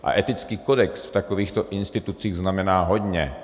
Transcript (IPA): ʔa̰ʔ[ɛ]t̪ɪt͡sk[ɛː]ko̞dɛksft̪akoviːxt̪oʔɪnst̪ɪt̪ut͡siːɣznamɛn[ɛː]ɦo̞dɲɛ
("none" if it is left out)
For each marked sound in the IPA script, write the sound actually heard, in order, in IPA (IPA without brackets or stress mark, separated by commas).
ɛ, iː, aː